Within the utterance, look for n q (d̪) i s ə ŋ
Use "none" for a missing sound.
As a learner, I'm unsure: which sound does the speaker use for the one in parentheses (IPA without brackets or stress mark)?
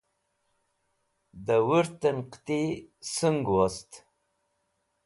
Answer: t̪